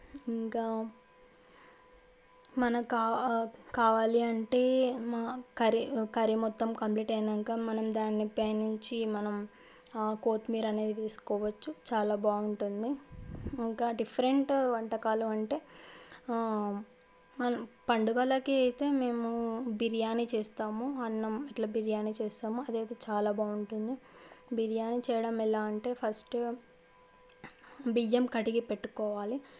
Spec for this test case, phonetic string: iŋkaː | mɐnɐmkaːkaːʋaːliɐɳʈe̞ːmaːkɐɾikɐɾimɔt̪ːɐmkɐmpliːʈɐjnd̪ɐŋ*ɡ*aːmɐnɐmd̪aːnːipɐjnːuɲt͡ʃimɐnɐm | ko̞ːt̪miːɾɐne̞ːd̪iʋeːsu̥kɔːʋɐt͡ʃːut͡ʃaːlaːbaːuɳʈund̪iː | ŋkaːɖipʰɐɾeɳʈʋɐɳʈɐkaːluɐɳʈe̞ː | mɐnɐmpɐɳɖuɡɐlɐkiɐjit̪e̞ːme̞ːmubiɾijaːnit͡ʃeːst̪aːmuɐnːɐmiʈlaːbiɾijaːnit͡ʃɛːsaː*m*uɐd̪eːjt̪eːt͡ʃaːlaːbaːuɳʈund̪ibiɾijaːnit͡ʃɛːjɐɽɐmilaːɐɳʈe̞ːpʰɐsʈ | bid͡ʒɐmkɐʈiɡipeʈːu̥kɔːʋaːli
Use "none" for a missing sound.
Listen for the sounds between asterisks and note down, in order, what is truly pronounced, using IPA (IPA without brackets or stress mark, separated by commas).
k, m